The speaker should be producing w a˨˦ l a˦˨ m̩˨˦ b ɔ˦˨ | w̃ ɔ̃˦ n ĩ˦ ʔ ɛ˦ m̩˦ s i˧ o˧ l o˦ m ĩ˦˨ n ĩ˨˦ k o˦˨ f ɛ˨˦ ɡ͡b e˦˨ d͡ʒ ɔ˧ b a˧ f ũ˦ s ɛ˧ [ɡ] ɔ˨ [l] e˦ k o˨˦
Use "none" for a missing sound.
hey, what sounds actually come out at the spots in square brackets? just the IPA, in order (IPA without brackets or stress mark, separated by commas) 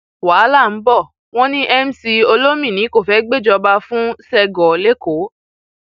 ɡ, l